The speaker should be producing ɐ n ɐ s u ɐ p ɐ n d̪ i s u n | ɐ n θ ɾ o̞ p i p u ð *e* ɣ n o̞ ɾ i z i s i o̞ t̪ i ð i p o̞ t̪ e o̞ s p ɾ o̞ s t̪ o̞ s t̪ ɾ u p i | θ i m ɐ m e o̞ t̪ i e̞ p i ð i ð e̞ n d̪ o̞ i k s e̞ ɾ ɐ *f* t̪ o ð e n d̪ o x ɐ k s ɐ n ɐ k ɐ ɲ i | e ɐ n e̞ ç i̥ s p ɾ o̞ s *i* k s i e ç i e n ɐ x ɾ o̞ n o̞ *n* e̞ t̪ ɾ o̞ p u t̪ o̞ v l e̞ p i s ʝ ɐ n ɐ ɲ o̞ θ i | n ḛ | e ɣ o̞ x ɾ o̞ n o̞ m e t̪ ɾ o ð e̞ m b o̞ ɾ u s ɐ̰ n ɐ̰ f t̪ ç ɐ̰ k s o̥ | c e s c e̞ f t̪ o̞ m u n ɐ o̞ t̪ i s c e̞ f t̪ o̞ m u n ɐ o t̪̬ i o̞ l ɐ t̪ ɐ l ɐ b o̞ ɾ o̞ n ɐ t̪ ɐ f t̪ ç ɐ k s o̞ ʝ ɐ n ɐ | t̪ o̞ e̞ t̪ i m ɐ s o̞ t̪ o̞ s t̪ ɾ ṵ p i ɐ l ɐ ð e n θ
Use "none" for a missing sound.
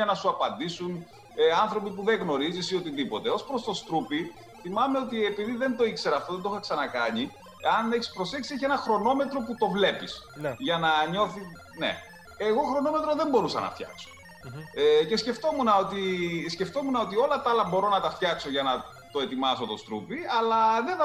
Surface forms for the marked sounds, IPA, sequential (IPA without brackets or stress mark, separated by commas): e, f, e, m